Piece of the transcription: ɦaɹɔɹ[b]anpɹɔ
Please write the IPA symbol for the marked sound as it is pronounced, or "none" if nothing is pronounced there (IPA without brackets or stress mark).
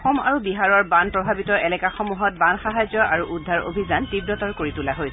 b